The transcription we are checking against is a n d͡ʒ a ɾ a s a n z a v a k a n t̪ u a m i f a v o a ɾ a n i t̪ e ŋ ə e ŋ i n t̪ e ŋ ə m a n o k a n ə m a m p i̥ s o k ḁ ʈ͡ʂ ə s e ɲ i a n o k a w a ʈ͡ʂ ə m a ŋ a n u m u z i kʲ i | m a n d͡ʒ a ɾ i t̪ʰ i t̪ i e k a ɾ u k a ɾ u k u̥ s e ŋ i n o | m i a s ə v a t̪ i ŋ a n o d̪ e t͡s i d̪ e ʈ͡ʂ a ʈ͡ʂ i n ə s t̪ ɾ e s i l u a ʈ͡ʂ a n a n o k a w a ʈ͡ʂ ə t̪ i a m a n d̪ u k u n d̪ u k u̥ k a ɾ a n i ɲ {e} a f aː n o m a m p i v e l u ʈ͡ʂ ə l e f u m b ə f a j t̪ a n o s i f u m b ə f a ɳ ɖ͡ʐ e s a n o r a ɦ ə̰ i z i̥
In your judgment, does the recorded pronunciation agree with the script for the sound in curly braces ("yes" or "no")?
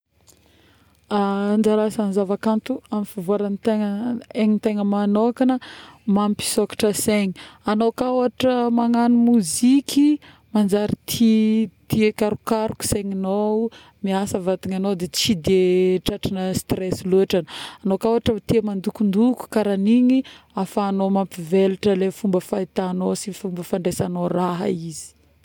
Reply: no